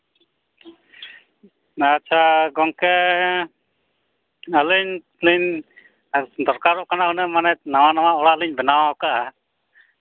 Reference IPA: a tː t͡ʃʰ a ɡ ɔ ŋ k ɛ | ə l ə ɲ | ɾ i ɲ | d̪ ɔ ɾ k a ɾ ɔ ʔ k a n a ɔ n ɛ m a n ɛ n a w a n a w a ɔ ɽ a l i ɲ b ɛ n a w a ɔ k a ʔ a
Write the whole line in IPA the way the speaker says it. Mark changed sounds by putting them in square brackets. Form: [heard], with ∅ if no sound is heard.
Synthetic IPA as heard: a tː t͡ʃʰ a ɡ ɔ ŋ k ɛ | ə l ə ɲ | [l] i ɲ | d̪ ɔ ɾ k a ɾ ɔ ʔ k a n a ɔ n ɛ m a n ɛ n a w a n a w a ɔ ɽ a l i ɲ b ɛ n a w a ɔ k a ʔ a